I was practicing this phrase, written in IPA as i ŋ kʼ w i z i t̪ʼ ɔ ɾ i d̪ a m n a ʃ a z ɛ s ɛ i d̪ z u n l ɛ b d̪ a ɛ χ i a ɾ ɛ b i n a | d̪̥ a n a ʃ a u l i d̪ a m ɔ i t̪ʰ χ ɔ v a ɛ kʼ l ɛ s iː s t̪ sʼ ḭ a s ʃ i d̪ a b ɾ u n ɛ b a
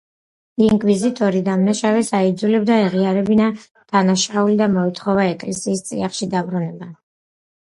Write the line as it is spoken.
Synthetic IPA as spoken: i ŋ kʼ w i z i t̪ʼ ɔ ɾ i d̪ a m n a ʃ a v ɛ s a i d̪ z u l ɛ b d̪ a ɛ ʁ i a ɾ ɛ b i n a | d̪̥ a n a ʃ a u l i d̪ a m ɔ i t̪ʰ χ ɔ v a ɛ kʼ l ɛ s iː s t̪ sʼ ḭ a χ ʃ i d̪ a b ɾ u n ɛ b a